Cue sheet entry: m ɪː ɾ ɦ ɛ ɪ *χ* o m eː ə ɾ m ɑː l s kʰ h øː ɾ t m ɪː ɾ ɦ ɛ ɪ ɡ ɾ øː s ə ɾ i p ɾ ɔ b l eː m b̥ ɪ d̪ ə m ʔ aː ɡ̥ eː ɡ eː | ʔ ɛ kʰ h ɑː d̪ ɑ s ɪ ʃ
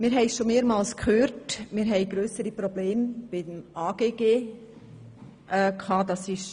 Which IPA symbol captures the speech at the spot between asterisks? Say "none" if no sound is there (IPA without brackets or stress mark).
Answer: ʃ